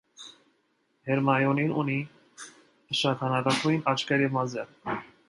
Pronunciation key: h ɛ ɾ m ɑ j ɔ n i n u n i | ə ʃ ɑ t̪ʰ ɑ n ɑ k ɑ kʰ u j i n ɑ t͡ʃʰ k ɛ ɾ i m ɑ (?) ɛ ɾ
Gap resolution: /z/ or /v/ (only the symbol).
z